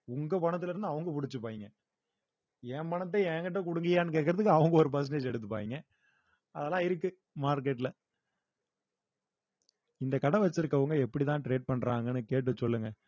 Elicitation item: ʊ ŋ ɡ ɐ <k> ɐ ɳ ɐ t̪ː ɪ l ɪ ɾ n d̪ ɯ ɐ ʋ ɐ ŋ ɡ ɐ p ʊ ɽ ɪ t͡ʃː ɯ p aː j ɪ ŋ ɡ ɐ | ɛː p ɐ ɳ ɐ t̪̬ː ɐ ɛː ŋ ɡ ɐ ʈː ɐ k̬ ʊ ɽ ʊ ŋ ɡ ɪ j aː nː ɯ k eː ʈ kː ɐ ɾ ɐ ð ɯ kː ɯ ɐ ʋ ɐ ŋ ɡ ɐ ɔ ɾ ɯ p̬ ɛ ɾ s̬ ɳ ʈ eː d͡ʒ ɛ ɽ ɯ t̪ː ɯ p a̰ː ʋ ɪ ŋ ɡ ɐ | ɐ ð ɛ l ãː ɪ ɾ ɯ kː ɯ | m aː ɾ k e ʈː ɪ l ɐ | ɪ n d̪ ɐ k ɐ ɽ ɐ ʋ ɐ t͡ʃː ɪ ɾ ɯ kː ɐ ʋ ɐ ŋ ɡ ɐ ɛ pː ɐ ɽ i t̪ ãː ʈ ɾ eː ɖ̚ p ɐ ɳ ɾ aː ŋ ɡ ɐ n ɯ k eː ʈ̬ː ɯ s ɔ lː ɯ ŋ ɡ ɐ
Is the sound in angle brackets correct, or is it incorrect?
incorrect